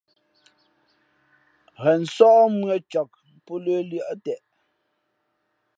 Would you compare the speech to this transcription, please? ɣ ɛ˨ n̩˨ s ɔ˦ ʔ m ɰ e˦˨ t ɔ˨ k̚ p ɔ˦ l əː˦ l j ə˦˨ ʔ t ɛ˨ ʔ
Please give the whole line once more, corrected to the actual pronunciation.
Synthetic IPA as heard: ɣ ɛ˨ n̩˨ s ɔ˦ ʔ m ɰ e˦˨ t͡ʃ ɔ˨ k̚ p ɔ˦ l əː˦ l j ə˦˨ ʔ t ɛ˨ ʔ